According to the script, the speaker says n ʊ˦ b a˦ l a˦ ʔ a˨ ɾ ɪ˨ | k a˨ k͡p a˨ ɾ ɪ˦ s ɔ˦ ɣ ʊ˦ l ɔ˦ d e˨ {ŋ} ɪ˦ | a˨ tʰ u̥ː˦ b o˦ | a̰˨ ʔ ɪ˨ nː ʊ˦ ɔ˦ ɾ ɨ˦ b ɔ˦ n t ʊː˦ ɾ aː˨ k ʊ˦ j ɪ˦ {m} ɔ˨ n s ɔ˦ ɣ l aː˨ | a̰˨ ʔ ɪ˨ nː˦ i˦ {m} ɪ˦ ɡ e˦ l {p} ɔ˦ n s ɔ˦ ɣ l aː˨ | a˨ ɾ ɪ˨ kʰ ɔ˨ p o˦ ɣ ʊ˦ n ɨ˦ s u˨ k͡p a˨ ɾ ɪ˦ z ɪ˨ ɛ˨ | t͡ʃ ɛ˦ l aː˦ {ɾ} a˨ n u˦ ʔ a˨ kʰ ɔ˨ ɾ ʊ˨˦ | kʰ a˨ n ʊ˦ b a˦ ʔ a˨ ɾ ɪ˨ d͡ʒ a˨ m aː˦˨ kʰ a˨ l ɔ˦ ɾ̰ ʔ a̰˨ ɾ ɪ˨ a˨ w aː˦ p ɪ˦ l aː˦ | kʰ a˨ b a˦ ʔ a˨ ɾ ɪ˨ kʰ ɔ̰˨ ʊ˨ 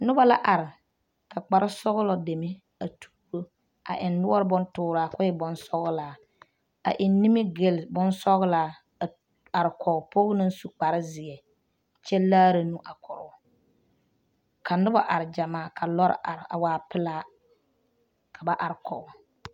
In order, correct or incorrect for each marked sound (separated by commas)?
incorrect, incorrect, correct, incorrect, correct